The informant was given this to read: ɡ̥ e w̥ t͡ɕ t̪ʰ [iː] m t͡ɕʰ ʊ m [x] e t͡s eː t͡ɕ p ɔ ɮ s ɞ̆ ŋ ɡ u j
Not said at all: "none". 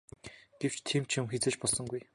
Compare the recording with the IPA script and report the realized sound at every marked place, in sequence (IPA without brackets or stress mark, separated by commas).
iː, x